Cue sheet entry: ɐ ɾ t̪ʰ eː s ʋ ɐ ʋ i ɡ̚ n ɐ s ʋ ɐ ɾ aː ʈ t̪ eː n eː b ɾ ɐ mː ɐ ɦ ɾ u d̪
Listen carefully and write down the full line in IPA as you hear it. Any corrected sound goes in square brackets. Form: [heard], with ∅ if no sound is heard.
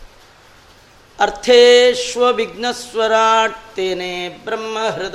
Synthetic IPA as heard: ɐ ɾ t̪ʰ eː [ʃ] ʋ ɐ ʋ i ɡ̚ n ɐ s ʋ ɐ ɾ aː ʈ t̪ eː n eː b ɾ ɐ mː ɐ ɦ ɾ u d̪